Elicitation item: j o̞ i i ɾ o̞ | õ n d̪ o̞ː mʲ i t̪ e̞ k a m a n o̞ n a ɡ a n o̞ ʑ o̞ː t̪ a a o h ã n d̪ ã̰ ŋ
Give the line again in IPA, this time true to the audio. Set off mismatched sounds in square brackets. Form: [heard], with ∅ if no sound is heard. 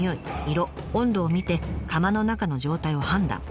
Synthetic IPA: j o̞ i i ɾ o̞ | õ n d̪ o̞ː mʲ i t̪ e̞ k a m a n o̞ n a [k] a n o̞ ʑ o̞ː t̪ a [i] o h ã n d̪ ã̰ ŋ

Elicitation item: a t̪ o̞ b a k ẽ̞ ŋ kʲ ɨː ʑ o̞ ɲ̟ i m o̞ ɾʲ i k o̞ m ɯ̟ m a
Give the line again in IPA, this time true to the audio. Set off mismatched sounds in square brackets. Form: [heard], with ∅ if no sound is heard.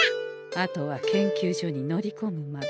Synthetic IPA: a t̪ o̞ [β] a k ẽ̞ ŋ kʲ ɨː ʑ o̞ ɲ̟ i [n] o̞ ɾʲ i k o̞ m ɯ̟ m a

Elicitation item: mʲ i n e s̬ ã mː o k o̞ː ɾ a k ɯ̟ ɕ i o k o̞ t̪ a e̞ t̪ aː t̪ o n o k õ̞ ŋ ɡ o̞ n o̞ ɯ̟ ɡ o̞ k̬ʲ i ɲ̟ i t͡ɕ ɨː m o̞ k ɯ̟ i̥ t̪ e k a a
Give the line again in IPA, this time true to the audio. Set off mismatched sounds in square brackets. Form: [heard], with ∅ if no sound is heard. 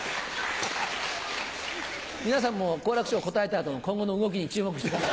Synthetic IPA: mʲ i n [a] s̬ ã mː o k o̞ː ɾ a k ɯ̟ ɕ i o k o̞ t̪ a e̞ t̪ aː t̪ o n o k õ̞ ŋ ɡ o̞ n o̞ ɯ̟ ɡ o̞ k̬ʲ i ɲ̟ i t͡ɕ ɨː m o̞ k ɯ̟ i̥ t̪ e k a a

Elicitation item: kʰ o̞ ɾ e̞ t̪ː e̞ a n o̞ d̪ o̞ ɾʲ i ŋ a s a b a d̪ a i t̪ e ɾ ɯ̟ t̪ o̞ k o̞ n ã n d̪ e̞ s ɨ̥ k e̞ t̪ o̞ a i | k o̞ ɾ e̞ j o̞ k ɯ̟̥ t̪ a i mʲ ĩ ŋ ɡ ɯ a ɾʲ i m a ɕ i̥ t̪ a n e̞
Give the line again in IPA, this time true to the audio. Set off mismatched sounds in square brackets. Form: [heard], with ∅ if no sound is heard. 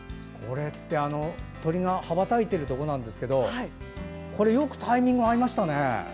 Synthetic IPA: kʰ o̞ ɾ e̞ t̪ː e̞ a n o̞ [t̪] o̞ ɾʲ i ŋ a [h] a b a [t̪] a i t̪ e ɾ ɯ̟ t̪ o̞ k o̞ n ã n d̪ e̞ s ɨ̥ k e̞ [d̪] o̞ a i | k o̞ ɾ e̞ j o̞ k ɯ̟̥ t̪ a i mʲ ĩ ŋ ɡ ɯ a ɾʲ i m a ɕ i̥ t̪ a n e̞

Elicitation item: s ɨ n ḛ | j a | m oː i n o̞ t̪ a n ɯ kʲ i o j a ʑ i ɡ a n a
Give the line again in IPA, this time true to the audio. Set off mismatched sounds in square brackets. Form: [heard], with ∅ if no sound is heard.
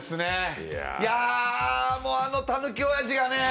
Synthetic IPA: s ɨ n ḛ | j a | m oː [a] n o̞ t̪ a n ɯ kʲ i o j a ʑ i ɡ a n [e]

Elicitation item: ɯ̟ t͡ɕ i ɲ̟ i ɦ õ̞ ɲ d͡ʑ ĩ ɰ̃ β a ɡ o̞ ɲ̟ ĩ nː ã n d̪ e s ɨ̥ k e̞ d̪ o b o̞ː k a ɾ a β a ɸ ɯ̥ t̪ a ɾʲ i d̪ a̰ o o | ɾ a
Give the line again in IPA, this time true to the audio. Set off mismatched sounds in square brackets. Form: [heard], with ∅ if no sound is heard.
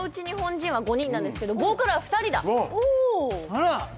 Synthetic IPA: ɯ̟ t͡ɕ i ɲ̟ i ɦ õ̞ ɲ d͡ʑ ĩ ɰ̃ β a ɡ o̞ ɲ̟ ĩ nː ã n d̪ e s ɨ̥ k e̞ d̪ o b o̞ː k a ɾ a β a ɸ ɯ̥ t̪ a ɾʲ i d̪ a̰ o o | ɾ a

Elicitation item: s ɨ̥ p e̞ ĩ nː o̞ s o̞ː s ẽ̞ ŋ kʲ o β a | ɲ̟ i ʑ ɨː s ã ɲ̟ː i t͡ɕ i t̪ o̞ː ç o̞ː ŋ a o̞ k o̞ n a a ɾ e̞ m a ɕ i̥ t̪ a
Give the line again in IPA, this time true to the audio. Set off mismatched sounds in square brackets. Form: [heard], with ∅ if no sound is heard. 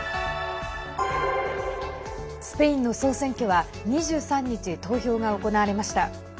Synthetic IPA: s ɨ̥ p e̞ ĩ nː o̞ s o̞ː s ẽ̞ ŋ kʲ o β a | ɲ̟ i ʑ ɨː s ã ɲ̟ː i t͡ɕ i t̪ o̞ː ç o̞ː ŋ a o̞ k o̞ n a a ɾ e̞ m a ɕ i̥ t̪ a

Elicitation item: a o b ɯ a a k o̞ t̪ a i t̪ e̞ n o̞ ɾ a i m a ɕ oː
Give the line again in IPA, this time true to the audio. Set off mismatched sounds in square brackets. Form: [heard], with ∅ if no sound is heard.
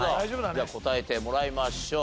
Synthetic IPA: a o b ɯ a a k o̞ t̪ a [e] t̪ e̞ [m] o̞ ɾ a i m a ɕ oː

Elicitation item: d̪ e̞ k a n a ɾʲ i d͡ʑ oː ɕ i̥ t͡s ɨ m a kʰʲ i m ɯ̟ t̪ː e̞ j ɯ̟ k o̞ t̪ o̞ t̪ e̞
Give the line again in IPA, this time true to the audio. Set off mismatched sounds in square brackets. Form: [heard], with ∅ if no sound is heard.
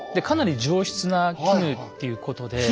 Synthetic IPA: d̪ e̞ k a n a ɾʲ i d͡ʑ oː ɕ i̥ t͡s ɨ [n] a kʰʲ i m ɯ̟ t̪ː e̞ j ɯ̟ k o̞ t̪ o̞ [d̪] e̞

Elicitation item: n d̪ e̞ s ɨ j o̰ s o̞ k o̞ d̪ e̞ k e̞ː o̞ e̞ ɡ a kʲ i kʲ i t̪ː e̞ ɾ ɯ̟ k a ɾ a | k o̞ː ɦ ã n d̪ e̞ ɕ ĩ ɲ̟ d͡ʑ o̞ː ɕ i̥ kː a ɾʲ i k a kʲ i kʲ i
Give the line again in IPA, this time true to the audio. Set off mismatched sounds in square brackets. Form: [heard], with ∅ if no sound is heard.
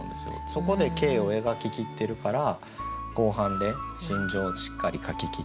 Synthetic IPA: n d̪ e̞ s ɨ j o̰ s o̞ k o̞ d̪ e̞ k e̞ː o̞ e̞ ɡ a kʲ i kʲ i t̪ː e̞ ɾ ɯ̟ k a ɾ a | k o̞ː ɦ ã n d̪ e̞ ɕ ĩ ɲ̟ d͡ʑ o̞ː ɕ i̥ kː a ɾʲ i k a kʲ i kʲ i

